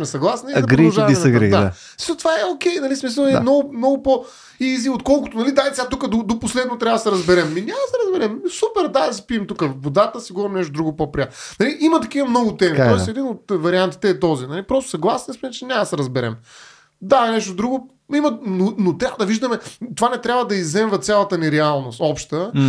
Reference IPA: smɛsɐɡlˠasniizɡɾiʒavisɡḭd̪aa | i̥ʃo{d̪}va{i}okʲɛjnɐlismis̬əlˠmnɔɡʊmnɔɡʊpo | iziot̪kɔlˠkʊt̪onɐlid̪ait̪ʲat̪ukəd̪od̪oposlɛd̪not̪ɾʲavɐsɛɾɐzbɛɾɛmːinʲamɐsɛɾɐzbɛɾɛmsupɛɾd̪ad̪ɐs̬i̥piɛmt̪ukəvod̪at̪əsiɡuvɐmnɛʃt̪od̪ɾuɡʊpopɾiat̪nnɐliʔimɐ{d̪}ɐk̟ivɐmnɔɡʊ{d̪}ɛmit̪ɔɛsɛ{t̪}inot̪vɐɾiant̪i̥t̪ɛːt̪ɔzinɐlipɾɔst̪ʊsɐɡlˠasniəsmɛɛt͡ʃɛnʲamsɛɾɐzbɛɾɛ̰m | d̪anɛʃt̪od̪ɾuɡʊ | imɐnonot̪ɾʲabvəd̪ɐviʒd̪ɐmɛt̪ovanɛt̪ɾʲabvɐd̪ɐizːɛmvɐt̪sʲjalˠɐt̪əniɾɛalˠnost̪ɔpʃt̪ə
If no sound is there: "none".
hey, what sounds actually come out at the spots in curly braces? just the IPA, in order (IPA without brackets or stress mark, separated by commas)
t̪, ɛ, t̪, t̪, d̪